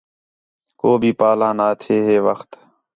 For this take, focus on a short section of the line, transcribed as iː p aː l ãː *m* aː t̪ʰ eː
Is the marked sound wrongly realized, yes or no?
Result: yes